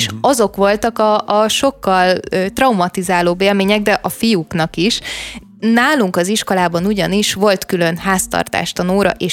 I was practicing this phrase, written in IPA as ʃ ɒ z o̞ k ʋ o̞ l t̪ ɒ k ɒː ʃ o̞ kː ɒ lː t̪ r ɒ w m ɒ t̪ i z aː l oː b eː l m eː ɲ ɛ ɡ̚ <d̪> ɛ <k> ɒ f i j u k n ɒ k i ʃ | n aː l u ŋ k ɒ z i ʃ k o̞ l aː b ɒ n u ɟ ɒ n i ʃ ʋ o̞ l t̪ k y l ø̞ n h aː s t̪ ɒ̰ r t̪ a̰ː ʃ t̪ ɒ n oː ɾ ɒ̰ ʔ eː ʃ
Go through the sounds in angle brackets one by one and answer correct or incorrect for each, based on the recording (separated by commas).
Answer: correct, incorrect